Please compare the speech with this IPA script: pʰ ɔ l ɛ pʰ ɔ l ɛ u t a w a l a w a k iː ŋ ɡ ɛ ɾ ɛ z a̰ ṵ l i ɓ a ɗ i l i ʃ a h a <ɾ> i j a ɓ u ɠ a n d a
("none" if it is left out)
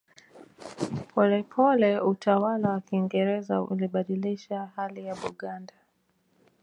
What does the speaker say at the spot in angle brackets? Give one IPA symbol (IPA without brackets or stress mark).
l